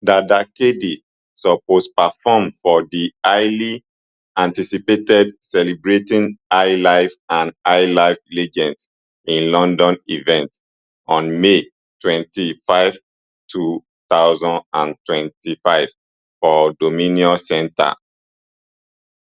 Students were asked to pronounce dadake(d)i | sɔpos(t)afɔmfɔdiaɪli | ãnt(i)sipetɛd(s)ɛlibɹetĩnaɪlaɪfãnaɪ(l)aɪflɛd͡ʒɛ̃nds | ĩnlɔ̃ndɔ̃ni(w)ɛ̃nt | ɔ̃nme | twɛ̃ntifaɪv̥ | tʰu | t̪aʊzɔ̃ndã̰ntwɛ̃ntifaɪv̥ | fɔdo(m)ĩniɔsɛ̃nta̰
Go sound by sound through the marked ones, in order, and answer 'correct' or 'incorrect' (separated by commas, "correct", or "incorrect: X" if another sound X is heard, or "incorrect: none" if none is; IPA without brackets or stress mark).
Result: correct, incorrect: p, correct, correct, correct, incorrect: v, correct